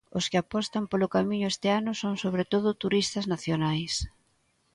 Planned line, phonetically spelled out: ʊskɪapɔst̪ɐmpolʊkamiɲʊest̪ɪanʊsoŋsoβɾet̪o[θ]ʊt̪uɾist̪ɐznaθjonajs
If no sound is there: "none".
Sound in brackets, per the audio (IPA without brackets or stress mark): ð